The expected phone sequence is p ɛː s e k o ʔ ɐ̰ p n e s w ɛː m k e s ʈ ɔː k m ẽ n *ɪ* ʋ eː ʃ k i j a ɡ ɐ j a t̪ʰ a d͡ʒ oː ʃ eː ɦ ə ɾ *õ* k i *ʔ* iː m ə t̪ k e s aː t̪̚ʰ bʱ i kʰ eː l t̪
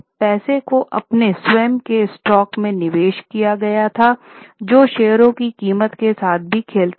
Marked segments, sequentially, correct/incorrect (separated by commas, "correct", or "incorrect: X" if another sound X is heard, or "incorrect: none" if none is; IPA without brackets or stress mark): correct, correct, incorrect: k